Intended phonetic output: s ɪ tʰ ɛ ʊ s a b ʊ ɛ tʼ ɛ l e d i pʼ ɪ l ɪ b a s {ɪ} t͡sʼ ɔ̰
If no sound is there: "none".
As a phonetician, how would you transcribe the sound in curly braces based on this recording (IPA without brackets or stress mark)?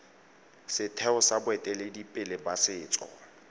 ɪː